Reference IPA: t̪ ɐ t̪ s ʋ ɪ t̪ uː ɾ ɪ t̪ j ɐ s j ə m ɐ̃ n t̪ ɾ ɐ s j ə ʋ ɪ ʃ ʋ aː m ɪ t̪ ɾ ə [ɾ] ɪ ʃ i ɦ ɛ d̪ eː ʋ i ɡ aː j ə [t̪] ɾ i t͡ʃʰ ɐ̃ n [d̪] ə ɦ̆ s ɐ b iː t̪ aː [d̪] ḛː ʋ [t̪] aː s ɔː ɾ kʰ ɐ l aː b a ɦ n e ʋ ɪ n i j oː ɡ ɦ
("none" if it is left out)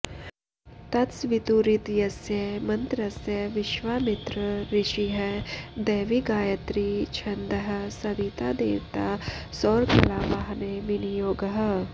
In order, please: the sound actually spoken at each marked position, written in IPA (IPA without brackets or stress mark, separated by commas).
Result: ɾ, t̪, d̪, d̪, t̪